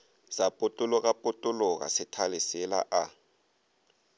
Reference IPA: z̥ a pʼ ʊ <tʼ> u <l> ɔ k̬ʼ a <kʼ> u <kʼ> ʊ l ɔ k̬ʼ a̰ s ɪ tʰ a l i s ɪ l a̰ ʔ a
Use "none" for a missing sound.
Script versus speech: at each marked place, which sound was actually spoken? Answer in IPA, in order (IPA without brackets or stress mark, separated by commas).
tʼ, l, pʼ, tʼ